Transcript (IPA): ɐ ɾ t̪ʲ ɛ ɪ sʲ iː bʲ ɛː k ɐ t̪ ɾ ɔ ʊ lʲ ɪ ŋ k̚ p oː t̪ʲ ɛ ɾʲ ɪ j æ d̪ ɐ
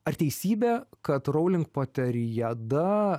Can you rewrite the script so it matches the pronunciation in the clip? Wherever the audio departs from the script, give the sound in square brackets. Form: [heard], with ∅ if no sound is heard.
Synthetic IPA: ɐ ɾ t̪ʲ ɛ ɪ sʲ iː bʲ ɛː k ɐ t̪ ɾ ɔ ʊ lʲ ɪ ŋ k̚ p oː t̪ʲ ɛ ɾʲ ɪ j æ d̪ ɐ